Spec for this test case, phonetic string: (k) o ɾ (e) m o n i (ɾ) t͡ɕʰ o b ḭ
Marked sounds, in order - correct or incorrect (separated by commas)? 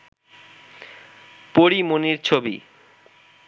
incorrect, incorrect, correct